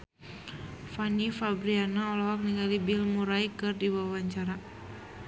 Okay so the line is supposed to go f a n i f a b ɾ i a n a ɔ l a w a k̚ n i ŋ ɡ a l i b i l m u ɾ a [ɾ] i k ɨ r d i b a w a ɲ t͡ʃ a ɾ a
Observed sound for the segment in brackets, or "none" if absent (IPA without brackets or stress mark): none